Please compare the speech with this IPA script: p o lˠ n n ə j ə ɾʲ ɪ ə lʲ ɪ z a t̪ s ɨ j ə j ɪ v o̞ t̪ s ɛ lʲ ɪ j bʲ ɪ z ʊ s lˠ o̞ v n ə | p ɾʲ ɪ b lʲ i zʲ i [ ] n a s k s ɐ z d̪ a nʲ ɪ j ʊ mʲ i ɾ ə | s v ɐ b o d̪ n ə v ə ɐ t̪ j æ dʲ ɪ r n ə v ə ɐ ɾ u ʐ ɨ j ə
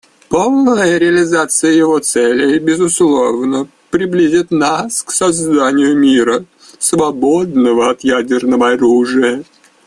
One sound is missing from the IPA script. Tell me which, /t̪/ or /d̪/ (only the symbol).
t̪